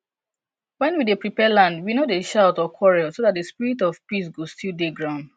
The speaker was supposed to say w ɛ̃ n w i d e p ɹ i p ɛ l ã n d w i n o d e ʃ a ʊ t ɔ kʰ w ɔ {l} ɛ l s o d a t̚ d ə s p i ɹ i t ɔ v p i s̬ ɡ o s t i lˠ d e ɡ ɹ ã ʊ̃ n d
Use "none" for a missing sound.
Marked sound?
ɹ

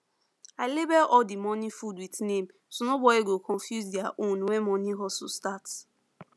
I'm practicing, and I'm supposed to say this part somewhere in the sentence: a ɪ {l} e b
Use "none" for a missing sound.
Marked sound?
l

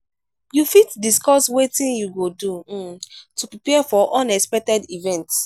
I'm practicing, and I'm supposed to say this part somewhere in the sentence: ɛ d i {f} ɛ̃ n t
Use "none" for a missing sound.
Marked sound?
v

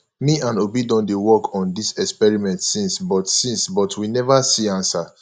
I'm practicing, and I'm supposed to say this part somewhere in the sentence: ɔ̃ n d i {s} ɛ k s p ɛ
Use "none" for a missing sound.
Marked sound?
s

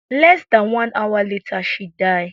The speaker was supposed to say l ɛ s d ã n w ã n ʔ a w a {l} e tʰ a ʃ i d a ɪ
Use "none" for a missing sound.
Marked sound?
l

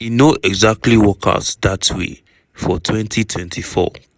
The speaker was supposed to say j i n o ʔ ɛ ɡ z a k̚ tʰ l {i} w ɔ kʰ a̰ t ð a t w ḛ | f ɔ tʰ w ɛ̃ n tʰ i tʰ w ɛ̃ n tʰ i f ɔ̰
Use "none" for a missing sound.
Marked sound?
i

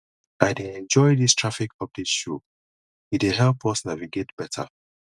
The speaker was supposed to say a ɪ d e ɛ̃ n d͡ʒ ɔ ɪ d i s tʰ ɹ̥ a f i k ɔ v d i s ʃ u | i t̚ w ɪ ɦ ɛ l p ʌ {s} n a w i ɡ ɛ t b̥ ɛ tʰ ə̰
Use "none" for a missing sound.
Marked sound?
s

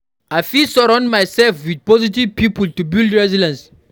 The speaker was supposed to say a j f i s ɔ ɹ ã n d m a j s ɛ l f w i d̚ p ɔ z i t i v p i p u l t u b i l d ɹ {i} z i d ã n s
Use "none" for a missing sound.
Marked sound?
ɛ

